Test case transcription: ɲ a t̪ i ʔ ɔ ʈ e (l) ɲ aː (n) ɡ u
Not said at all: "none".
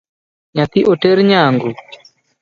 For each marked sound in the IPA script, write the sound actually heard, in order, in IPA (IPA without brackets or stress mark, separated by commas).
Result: ɾ, ŋ